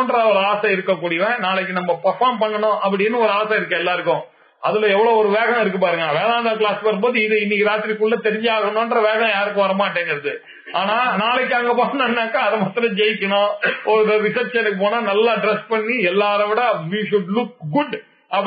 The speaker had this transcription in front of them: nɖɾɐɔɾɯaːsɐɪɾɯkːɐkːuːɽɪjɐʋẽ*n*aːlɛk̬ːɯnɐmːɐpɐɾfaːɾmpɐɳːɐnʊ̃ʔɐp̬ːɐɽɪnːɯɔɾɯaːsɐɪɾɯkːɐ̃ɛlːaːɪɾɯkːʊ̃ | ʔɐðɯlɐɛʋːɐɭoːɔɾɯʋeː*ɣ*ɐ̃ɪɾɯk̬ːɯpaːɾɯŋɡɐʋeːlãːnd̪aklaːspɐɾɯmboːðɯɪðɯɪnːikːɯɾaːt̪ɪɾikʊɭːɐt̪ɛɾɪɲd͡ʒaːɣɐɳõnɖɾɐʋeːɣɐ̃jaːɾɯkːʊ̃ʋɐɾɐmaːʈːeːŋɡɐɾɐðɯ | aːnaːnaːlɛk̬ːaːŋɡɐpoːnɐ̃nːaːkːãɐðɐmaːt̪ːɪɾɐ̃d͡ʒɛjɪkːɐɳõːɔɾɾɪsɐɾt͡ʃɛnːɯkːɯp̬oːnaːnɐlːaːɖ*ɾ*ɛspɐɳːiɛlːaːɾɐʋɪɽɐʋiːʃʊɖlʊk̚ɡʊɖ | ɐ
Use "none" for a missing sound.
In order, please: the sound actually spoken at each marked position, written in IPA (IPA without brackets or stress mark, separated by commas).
n, ɣ, ɾ